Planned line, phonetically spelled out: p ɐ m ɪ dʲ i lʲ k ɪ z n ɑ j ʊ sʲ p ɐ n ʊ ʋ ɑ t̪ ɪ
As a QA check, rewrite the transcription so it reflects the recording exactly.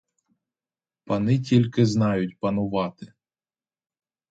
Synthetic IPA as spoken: p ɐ n ɪ tʲ i lʲ k ɪ z n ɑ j ʊ tʲ p ɐ n ʊ ʋ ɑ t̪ ɪ